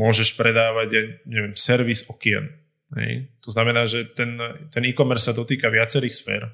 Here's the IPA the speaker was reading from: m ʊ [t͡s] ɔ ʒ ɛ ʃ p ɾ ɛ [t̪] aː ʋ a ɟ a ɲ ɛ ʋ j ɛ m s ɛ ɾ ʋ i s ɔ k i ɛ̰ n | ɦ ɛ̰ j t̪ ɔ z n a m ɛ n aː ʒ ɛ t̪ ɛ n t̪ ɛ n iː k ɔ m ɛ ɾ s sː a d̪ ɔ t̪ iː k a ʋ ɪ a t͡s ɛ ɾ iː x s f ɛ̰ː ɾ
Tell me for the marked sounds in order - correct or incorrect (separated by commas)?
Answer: incorrect, incorrect